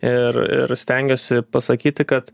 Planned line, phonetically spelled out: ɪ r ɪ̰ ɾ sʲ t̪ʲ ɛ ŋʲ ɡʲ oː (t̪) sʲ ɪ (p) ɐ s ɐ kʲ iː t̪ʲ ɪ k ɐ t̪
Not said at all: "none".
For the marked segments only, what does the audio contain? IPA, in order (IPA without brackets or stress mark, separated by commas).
none, p